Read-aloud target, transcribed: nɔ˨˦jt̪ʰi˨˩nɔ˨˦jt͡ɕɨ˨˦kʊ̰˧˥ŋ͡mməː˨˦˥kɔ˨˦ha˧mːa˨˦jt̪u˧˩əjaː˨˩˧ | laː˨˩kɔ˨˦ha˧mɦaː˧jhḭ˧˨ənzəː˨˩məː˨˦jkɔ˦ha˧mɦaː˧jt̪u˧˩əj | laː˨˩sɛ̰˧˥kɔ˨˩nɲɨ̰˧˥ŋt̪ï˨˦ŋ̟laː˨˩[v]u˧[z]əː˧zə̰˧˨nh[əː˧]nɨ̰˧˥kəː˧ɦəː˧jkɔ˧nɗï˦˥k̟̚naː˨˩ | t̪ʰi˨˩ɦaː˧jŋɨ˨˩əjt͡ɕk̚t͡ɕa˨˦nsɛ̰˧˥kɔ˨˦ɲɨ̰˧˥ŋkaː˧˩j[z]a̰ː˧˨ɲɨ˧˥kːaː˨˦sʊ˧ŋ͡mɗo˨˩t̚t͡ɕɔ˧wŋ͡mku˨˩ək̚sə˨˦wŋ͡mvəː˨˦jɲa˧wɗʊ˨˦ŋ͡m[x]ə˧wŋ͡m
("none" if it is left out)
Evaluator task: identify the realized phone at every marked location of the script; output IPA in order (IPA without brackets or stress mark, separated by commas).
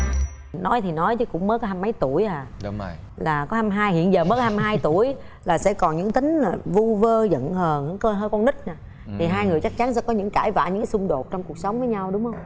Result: v, v, əː˨˩, v, h